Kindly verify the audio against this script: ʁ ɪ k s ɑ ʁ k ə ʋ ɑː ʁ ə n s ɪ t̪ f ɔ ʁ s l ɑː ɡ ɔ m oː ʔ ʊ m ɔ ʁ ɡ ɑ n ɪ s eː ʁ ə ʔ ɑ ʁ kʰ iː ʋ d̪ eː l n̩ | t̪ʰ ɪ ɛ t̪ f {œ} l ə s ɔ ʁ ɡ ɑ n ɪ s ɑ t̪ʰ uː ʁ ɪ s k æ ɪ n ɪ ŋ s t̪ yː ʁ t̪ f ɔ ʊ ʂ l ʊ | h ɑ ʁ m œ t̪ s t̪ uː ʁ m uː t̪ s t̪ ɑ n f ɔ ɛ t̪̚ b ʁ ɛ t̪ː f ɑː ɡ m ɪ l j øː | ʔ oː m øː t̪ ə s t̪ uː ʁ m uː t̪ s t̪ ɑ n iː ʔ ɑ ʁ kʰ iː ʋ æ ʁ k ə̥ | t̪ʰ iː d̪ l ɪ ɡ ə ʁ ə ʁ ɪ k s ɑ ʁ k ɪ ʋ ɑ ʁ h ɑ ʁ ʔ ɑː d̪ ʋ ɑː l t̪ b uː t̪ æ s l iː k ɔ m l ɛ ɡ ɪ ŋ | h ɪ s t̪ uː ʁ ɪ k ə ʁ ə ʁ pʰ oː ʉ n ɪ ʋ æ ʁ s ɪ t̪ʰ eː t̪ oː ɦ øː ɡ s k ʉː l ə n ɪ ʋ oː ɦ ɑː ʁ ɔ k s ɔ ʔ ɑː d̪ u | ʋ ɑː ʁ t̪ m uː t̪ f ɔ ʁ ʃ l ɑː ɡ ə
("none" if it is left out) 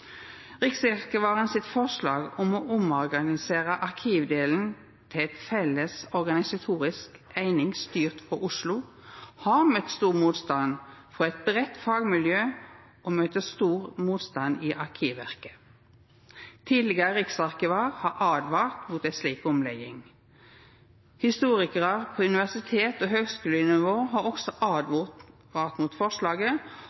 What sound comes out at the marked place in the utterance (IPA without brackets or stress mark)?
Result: ɛ